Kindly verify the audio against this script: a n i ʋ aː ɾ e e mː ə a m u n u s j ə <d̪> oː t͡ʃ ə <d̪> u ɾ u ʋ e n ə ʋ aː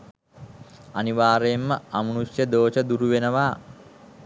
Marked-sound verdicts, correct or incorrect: correct, correct

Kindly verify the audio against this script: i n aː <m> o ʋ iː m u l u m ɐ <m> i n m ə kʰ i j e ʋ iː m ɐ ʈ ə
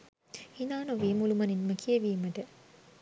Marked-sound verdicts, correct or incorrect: incorrect: n, incorrect: n

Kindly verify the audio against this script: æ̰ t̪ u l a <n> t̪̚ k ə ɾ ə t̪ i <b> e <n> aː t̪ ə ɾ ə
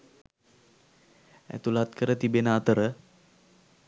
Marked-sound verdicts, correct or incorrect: incorrect: none, correct, correct

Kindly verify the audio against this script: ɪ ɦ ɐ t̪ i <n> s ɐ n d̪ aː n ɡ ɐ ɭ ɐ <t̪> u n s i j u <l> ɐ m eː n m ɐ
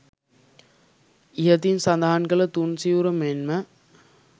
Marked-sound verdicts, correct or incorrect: correct, correct, incorrect: ɾ

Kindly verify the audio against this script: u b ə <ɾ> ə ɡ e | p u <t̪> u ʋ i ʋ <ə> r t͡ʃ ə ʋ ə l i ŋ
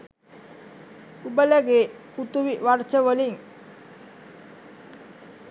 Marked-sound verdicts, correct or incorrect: incorrect: l, correct, incorrect: a

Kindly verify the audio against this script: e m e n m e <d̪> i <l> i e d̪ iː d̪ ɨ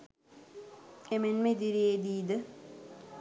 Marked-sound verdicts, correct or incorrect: correct, incorrect: ɾ

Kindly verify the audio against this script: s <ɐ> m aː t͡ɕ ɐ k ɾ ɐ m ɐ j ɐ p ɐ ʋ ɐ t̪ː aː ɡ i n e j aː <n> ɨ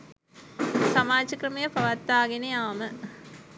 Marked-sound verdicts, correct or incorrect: correct, incorrect: m

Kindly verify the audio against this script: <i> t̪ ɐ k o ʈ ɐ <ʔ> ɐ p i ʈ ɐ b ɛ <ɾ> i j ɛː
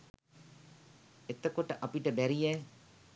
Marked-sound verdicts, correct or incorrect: incorrect: e, correct, correct

